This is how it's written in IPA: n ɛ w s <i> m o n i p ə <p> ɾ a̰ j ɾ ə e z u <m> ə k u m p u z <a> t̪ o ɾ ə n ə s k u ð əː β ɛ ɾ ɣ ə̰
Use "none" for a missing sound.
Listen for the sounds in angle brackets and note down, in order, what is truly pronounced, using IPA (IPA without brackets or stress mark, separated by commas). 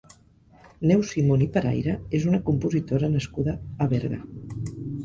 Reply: i, none, n, i